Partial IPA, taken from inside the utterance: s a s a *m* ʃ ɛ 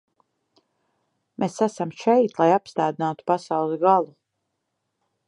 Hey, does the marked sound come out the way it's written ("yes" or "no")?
yes